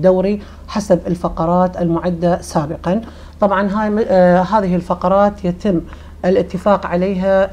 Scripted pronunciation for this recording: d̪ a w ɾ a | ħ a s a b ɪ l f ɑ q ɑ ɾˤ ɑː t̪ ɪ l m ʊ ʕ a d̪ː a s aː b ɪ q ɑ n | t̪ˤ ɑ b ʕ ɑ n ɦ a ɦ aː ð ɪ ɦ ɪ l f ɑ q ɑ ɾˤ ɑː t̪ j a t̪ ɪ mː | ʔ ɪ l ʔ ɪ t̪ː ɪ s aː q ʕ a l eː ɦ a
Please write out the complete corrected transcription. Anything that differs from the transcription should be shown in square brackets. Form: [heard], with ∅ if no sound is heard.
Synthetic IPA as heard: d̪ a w ɾ [i] | ħ a s a b ɪ l f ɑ q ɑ ɾˤ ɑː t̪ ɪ l m ʊ ʕ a d̪ː a s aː b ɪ q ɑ n | t̪ˤ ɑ b ʕ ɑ n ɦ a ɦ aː ð ɪ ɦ ɪ l f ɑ q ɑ ɾˤ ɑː t̪ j a t̪ ɪ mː | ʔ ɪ l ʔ ɪ t̪ː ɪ [f] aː q ʕ a l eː ɦ a